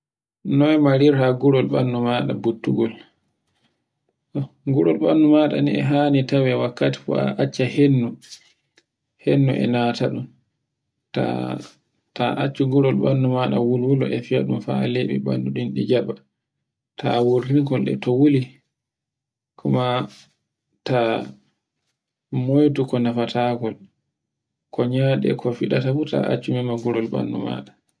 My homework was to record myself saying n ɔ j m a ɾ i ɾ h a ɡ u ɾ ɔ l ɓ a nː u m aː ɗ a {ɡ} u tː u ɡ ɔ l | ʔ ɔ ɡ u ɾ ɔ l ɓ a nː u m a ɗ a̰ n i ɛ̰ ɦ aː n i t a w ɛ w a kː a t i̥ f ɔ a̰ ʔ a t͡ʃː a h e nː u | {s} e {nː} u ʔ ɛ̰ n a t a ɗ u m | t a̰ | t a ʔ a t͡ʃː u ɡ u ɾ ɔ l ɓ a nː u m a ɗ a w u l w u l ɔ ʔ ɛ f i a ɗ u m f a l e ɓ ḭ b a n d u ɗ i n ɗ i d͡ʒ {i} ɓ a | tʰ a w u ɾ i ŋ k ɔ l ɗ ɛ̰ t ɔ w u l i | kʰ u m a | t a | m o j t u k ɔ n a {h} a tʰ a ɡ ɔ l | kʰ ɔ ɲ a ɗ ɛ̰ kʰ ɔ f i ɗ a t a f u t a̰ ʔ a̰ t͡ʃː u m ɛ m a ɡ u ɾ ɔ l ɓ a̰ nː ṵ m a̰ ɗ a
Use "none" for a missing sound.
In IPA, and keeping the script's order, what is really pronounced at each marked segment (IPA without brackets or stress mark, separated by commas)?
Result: b, h, nː, a, f